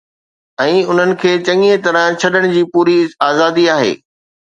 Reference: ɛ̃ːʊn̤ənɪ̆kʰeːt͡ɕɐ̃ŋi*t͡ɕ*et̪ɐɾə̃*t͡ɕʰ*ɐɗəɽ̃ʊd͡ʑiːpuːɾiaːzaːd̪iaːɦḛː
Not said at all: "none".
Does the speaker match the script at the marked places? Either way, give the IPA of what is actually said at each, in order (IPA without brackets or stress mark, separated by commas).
none, t͡ɕʰ